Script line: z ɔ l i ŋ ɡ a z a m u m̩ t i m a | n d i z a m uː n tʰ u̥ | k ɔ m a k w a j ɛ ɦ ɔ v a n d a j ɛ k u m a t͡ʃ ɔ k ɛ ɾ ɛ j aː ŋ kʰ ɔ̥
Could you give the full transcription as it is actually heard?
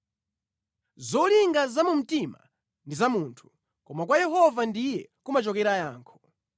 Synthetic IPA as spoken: z ɔ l i ŋ ɡ a z a m u m̩ t i m a | n d i z a m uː n tʰ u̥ | k ɔ m a k w a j ɛ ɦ ɔ v a n d i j ɛ k u m a t͡ʃ ɔ k ɛ ɾ a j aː ŋ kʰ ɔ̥